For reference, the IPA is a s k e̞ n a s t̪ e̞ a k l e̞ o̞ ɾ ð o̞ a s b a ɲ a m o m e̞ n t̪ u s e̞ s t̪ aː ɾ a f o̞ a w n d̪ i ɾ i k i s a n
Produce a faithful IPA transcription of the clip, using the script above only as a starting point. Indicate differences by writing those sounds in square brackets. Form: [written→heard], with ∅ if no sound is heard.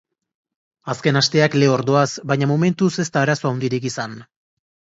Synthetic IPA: a s k e̞ n a s t̪ e̞ a k l e̞ o̞ ɾ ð o̞ a s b a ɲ a m o m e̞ n t̪ u s e̞ s t̪ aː ɾ a [f→s] o̞ a w n d̪ i ɾ i k i s a n